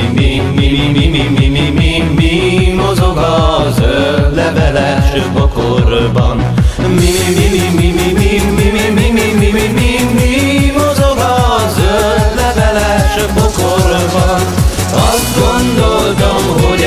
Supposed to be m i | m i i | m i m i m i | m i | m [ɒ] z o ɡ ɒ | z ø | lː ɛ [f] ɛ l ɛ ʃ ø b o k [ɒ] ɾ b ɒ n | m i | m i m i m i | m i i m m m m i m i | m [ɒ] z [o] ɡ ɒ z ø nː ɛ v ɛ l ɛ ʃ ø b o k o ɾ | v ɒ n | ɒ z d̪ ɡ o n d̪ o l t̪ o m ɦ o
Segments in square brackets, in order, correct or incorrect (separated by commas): incorrect, incorrect, incorrect, incorrect, correct